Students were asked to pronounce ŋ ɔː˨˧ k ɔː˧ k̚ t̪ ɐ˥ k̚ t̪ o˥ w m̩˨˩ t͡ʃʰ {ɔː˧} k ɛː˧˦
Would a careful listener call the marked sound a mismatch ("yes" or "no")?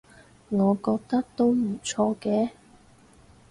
no